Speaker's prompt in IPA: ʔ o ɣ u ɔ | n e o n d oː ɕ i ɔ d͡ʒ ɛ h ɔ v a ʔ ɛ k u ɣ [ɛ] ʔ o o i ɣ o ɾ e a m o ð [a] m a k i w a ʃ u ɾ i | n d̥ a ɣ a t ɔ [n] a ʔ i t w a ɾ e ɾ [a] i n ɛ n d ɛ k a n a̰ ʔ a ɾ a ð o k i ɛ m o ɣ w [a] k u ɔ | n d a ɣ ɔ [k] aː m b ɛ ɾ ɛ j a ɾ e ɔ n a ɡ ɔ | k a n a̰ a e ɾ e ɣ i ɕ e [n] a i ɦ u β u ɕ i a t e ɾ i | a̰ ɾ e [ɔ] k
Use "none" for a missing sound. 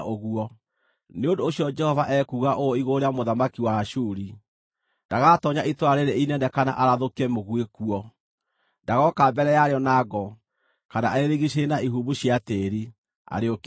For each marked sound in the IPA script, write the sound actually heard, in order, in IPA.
a, a, ɲ, e, e, k, n, o

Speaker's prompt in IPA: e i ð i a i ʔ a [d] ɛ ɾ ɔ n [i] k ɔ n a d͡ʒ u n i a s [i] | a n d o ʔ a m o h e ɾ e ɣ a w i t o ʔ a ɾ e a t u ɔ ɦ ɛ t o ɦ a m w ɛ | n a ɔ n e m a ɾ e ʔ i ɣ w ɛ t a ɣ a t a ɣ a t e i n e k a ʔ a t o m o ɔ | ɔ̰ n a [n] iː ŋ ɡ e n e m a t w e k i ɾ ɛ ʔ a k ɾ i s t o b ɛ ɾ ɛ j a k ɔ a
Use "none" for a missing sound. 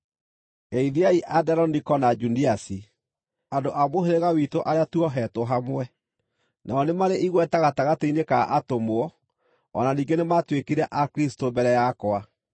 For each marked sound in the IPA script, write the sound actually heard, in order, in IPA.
d, i, i, n

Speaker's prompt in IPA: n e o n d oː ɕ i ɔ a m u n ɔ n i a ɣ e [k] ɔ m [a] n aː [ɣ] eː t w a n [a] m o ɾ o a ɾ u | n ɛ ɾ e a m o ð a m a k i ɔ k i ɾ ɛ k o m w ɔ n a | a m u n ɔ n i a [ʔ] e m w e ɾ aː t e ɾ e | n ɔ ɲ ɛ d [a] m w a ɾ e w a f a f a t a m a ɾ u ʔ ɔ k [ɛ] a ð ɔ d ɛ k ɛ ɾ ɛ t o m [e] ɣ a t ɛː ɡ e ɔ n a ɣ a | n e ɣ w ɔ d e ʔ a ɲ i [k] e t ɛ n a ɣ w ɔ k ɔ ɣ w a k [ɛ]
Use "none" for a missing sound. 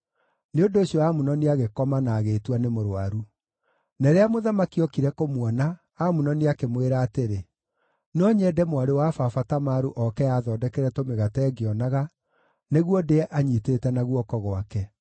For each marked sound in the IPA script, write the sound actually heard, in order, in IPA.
k, a, ɣ, e, k, ɛ, ɛ, e, t, ɛ

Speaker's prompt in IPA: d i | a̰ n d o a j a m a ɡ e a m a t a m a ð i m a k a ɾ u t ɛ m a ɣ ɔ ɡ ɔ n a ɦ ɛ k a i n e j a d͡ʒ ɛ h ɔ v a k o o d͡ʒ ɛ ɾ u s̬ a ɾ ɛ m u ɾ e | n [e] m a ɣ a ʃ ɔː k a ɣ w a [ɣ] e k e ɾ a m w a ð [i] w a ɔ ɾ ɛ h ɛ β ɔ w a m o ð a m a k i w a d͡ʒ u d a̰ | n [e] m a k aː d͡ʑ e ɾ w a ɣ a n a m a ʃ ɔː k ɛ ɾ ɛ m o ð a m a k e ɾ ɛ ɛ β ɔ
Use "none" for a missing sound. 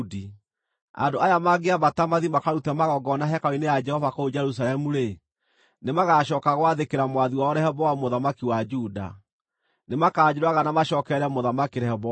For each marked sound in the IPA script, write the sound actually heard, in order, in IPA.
e, ð, i, e

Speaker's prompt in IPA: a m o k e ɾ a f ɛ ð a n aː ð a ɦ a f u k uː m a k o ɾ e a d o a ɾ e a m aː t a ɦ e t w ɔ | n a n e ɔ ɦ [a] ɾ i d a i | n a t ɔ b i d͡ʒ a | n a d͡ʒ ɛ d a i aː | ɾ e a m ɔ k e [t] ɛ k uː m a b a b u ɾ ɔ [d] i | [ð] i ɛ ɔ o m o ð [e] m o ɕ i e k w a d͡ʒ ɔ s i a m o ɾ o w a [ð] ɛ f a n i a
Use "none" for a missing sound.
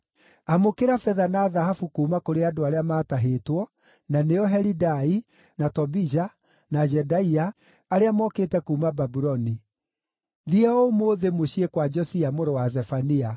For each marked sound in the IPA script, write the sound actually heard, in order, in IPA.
ɛ, t, n, ð, e, z

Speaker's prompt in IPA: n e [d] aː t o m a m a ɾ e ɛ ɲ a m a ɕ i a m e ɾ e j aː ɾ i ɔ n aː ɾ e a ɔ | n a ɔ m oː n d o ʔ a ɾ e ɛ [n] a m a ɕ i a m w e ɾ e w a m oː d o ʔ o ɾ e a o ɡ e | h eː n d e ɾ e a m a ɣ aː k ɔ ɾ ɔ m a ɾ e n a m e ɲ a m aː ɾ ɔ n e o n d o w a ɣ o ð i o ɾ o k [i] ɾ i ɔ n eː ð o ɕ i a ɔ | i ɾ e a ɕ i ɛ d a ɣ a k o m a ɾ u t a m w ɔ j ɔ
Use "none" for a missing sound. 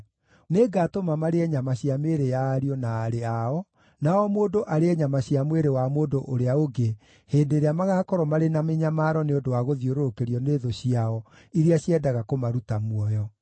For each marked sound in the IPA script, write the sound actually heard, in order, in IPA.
ɡ, ɲ, e

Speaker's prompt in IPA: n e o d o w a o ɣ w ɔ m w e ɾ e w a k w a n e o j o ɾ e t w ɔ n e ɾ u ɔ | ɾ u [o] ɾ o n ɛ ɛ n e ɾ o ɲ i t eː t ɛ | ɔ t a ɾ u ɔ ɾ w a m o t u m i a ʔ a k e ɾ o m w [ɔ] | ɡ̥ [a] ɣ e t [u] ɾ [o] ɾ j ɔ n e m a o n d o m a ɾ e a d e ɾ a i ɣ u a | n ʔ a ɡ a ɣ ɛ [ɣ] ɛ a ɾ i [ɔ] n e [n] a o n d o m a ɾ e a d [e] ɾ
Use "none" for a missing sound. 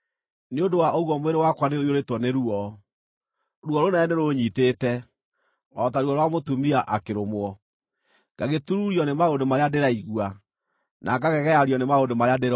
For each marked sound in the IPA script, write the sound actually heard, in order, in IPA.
ɔ, ɔ, a, u, u, ɣ, ɔ, m, e

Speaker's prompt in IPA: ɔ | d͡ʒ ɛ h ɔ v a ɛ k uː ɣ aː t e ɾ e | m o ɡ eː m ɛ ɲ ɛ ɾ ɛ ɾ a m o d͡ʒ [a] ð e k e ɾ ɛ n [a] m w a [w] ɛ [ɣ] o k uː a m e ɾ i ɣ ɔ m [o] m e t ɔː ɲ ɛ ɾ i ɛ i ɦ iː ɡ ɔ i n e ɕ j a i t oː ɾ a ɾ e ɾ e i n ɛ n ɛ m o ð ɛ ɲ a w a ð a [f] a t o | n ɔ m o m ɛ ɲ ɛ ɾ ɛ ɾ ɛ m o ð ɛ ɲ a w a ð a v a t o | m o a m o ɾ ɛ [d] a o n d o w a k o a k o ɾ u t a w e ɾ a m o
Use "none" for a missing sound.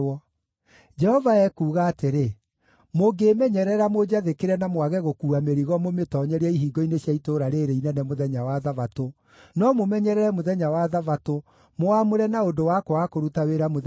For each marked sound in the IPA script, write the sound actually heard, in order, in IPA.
a, a, ɣ, ɣ, o, v, n

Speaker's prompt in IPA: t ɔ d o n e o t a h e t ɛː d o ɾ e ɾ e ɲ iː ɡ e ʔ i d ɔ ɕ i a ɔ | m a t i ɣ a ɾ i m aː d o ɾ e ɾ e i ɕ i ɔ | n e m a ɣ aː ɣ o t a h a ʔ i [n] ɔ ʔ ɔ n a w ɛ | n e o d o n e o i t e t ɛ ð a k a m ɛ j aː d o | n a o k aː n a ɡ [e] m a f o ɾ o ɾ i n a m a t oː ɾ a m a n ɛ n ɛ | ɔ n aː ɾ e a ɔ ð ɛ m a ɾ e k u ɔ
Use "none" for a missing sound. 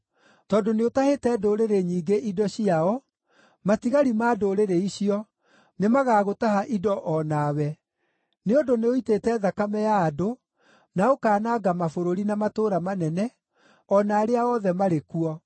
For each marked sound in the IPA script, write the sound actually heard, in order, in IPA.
d, a

